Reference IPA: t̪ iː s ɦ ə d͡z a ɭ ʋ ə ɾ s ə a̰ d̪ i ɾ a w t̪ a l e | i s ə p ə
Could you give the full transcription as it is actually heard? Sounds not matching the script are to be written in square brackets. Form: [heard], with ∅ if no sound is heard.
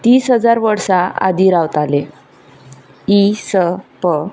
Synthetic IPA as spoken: t̪ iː s ɦ ə d͡z a [ɾ] ʋ ə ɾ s [a] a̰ d̪ i ɾ a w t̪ a l e | i s ə p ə